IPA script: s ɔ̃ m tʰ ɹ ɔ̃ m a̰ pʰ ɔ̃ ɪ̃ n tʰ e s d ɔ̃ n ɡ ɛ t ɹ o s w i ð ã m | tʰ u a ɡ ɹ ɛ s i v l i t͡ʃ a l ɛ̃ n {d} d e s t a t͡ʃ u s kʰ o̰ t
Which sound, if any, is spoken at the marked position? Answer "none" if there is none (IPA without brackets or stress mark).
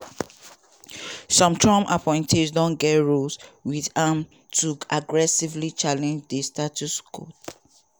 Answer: d͡ʒ